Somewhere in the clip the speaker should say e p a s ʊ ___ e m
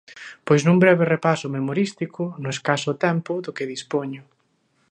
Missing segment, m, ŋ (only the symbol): m